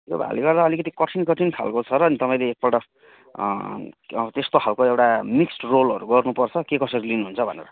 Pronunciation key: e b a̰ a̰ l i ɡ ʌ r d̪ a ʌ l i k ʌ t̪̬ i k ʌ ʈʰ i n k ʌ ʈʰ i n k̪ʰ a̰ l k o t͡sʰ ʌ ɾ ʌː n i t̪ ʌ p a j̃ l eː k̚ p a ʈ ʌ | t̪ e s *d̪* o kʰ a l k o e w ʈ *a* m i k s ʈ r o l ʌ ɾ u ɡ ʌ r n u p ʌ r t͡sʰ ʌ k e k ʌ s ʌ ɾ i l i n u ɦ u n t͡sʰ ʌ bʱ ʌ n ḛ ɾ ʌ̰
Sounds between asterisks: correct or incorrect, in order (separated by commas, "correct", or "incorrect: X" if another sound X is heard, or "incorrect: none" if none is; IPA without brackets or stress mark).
incorrect: t̪, correct